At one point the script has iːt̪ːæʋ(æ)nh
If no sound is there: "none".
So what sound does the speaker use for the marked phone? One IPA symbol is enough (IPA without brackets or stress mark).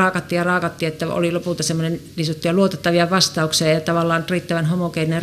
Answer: æ